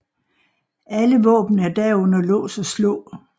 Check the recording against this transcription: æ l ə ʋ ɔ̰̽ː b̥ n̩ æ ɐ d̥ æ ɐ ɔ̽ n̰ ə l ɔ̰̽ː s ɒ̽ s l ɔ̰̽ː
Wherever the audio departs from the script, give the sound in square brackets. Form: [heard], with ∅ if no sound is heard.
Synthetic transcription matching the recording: æ l ə ʋ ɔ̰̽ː b̥ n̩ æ ɐ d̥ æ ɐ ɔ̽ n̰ [ɐ] l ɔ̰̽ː s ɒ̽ s l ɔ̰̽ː

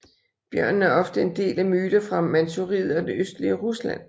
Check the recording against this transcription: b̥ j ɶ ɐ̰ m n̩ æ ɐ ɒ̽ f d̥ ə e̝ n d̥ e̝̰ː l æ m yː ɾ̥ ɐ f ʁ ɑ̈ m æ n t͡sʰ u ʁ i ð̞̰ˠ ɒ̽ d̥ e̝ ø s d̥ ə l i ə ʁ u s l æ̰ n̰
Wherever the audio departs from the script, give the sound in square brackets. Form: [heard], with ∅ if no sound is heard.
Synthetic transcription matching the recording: b̥ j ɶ ɐ̰ [n] n̩ æ ɐ ɒ̽ f d̥ ə e̝ n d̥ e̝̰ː l æ m yː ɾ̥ ɐ f ʁ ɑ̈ m æ n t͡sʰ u ʁ i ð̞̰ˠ ɒ̽ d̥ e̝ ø s d̥ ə l i ə ʁ u s l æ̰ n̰

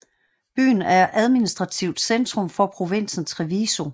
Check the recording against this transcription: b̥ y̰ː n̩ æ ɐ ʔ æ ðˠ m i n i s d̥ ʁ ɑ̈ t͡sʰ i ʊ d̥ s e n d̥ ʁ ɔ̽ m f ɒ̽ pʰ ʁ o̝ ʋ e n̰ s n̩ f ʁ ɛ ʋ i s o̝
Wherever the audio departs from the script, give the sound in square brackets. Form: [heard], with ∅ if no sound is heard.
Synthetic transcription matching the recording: b̥ y̰ː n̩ æ ɐ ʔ æ ðˠ m i n i s d̥ ʁ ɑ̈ t͡sʰ i ʊ d̥ s e n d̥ ʁ ɔ̽ m f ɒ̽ pʰ ʁ o̝ ʋ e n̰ s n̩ [s] ʁ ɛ ʋ i s o̝

